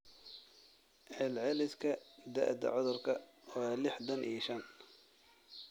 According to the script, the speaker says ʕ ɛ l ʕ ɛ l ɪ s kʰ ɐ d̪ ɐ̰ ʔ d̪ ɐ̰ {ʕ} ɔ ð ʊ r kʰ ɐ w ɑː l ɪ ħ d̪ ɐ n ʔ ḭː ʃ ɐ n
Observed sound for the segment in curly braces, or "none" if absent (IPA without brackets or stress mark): ʕ